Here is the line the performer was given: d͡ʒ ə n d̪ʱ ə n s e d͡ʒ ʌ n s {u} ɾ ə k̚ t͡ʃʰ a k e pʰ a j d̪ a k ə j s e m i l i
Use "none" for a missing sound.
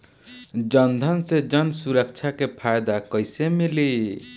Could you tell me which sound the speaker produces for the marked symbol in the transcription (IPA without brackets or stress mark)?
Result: u